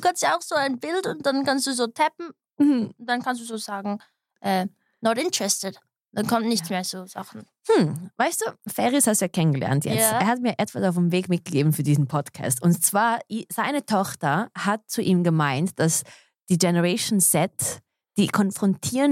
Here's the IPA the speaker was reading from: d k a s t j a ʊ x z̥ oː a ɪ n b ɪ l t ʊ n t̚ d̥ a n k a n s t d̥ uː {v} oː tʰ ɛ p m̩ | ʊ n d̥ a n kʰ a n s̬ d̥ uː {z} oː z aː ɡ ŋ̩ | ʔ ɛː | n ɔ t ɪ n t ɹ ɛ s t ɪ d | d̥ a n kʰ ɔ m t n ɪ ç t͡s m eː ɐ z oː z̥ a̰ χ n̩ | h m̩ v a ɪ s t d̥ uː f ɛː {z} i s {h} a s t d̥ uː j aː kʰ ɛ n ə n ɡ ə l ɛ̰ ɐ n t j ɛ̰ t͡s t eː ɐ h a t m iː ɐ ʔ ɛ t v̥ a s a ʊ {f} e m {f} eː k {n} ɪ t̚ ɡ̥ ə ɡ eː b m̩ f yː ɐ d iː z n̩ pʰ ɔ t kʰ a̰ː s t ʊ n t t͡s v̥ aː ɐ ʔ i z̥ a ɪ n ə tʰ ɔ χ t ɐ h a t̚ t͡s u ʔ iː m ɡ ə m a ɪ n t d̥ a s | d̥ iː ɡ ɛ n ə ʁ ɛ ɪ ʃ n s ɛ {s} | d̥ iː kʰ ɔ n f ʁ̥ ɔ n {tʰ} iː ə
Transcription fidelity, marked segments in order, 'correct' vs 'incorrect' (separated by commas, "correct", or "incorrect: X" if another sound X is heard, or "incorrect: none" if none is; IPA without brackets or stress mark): incorrect: z, correct, incorrect: ʁ, correct, correct, incorrect: v, incorrect: m, incorrect: t, correct